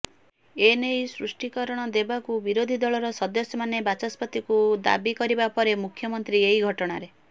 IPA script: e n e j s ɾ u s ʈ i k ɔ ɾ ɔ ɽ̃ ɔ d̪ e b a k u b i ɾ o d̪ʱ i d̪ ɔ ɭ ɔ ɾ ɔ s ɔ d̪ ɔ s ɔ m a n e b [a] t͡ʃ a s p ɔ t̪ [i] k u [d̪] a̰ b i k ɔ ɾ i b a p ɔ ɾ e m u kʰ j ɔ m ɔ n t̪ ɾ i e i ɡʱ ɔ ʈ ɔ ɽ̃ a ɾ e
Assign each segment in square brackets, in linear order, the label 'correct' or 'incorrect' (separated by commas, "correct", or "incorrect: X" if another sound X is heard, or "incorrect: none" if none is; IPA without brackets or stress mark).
correct, correct, correct